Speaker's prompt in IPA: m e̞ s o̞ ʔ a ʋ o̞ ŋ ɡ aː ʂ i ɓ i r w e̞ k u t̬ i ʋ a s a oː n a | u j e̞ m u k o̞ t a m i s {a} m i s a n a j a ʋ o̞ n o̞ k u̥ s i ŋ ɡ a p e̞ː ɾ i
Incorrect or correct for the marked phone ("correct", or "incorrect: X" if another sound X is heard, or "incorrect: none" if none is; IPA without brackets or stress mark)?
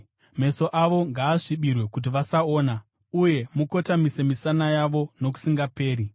incorrect: e